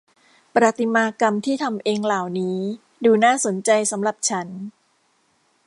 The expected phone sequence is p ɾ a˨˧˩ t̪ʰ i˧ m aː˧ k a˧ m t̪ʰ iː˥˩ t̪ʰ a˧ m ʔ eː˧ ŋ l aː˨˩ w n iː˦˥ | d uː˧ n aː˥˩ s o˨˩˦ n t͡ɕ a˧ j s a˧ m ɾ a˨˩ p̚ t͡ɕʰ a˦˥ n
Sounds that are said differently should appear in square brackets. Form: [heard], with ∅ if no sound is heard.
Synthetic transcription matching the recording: p ɾ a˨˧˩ [t̪] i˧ m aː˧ k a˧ m t̪ʰ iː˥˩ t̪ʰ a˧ m ʔ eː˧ ŋ l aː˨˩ w n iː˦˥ | d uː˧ n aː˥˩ s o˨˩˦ n t͡ɕ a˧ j s [a˩˦] m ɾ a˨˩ p̚ t͡ɕʰ a˦˥ n